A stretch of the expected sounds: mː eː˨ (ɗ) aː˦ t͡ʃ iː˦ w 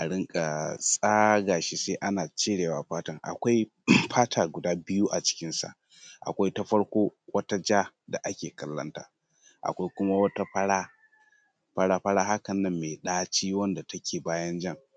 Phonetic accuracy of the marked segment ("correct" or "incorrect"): correct